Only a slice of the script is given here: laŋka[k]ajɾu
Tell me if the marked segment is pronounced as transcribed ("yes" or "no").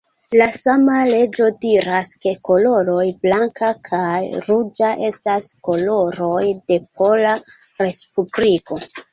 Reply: no